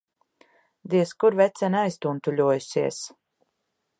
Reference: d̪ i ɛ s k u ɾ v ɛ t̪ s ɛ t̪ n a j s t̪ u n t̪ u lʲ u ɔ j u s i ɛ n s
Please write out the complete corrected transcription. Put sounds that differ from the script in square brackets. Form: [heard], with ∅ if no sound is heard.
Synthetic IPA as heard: d̪ i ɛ s k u ɾ v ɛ t̪ s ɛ [∅] n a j s t̪ u n t̪ u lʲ u ɔ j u s i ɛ [∅] s